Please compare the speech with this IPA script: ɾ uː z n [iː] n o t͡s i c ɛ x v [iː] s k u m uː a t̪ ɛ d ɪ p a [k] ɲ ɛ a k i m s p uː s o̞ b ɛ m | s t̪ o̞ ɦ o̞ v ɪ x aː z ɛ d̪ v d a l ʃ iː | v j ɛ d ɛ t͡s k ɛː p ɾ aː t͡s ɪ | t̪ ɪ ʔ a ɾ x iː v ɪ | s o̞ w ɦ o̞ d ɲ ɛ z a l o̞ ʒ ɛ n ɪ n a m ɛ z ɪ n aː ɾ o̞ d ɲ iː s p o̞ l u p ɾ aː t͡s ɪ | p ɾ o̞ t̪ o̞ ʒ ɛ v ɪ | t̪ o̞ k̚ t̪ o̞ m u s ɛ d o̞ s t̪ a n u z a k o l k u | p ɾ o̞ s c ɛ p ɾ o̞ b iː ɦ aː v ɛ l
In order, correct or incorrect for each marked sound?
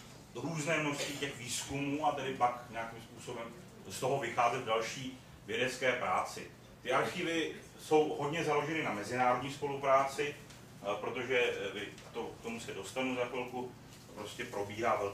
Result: incorrect, correct, correct

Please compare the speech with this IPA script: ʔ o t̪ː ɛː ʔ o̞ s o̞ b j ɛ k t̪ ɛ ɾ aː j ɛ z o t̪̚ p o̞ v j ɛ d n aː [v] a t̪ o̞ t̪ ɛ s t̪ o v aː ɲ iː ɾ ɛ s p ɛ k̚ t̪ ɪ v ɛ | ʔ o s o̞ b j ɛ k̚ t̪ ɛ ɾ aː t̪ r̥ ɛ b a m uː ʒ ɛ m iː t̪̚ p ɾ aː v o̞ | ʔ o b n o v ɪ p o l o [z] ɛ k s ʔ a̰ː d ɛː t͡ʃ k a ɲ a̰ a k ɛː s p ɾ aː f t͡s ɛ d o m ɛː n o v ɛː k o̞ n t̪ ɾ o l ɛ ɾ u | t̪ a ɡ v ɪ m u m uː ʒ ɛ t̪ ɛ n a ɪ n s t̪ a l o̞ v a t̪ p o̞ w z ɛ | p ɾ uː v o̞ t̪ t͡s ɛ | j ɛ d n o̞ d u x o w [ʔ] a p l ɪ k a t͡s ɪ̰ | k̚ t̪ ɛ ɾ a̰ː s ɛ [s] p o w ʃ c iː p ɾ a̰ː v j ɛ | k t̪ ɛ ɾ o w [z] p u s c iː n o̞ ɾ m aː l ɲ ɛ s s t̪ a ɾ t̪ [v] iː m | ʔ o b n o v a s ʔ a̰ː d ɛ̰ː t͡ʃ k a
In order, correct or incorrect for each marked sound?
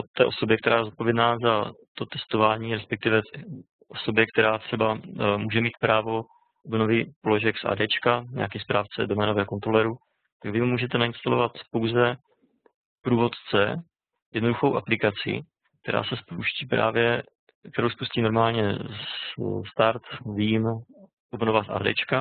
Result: incorrect, incorrect, correct, correct, incorrect, correct

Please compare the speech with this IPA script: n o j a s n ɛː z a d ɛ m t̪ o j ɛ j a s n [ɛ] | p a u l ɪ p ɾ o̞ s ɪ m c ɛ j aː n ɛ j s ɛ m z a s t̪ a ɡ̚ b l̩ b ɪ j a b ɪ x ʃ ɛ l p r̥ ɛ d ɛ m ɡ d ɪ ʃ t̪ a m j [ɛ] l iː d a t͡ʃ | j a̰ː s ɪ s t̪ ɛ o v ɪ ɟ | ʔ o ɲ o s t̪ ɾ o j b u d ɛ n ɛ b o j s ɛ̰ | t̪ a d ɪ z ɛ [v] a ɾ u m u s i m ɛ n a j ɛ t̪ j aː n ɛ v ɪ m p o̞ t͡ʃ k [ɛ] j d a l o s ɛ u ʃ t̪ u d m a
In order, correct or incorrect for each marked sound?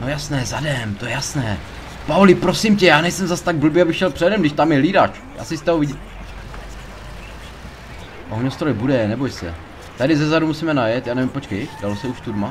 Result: incorrect, correct, incorrect, correct

